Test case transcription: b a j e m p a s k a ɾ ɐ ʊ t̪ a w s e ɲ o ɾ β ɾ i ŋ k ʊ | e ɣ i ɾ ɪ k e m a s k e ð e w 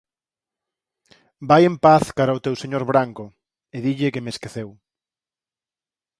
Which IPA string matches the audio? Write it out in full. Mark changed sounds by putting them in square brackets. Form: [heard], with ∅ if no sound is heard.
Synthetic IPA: b a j e m p a [θ] k a ɾ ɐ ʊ t̪ [e] w s e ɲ o ɾ β ɾ [a] ŋ k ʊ | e [ð] i [ʎ] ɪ k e m [e] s k e [θ] e w